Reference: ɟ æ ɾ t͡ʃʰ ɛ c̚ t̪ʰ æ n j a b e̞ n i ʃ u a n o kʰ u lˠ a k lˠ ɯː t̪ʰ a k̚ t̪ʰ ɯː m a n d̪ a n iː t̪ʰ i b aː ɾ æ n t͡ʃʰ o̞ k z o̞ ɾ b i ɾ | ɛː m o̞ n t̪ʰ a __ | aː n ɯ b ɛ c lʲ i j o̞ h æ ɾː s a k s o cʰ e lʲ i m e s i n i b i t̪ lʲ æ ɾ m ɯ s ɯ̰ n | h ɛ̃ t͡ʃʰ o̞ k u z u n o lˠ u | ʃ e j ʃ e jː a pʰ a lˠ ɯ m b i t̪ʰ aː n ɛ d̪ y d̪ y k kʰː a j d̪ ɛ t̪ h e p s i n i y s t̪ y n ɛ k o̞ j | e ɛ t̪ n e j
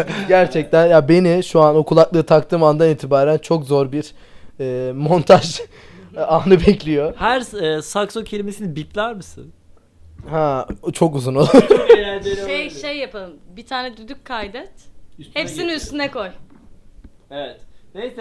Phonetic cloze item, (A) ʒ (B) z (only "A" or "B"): A